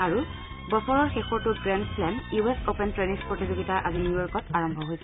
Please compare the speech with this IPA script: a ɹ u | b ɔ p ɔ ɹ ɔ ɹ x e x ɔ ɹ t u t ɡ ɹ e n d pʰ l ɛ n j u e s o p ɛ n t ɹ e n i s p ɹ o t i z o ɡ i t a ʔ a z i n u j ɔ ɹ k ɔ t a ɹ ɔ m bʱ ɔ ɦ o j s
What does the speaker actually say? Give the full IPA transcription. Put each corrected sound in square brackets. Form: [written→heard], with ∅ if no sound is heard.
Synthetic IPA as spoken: a ɹ u | b ɔ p ɔ ɹ ɔ ɹ x e x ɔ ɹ t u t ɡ ɹ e n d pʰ l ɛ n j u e s o p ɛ n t ɹ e n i s p ɹ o t i z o ɡ i t a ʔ a z i n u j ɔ ɹ k ɔ t a ɹ ɔ m bʱ ɔ ɦ o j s

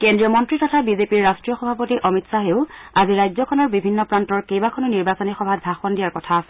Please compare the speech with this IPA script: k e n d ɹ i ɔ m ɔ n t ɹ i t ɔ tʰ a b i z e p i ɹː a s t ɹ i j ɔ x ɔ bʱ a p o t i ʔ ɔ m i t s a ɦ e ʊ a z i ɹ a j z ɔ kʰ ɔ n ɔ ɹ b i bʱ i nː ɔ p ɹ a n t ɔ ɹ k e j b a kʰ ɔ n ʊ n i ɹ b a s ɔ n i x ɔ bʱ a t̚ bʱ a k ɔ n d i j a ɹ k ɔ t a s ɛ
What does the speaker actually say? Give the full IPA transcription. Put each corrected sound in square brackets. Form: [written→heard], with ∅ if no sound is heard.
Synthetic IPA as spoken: k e n d ɹ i ɔ m ɔ n t ɹ i t ɔ tʰ a b i z e p i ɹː a s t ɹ i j ɔ x ɔ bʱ a p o t i ʔ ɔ m i t s a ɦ e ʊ a z i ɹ a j z ɔ kʰ ɔ n ɔ ɹ b i bʱ i nː ɔ p ɹ a n t ɔ ɹ k e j b a kʰ ɔ n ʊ n i ɹ b a s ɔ n i x ɔ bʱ a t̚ bʱ a [k→x] ɔ n d i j a ɹ k ɔ [t→tʰ] a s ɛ

